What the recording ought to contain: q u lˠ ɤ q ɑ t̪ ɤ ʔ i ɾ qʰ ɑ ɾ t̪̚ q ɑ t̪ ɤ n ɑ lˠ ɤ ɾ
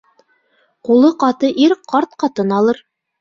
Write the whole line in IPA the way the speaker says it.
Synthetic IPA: q u lˠ ɤ q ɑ t̪ ɤ ʔ i ɾ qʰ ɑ ɾ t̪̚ q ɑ t̪ ɤ n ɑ lˠ ɤ ɾ